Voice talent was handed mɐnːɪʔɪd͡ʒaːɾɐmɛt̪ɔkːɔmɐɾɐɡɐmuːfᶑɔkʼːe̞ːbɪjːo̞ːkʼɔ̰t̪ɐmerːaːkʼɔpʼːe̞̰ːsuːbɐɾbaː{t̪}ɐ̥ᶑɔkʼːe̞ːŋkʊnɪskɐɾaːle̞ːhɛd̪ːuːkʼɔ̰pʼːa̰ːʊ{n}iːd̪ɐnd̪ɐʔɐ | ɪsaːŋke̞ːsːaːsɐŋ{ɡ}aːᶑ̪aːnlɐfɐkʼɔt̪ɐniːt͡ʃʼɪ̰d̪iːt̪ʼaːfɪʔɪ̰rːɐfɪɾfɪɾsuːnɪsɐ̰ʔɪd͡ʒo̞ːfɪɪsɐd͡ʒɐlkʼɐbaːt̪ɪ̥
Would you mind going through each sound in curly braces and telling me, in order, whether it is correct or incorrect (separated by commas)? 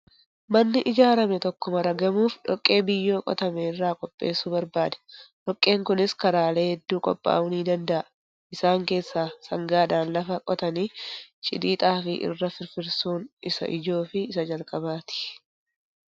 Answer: incorrect, correct, correct